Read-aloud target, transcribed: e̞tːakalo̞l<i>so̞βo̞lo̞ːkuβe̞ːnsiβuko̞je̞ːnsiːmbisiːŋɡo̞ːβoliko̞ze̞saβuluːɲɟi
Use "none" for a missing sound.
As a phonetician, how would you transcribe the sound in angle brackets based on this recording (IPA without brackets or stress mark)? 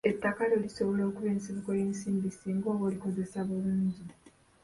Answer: i